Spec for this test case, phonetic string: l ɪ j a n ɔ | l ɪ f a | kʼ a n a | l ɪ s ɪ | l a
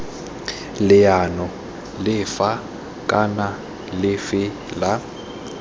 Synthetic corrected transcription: l ɪ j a n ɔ | l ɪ f a | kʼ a n a | l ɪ f ɪ | l a